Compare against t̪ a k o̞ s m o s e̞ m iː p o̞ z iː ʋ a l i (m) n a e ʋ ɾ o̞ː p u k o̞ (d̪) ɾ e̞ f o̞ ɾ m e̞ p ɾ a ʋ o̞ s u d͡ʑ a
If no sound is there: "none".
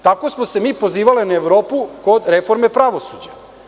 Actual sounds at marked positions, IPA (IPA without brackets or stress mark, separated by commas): none, d̪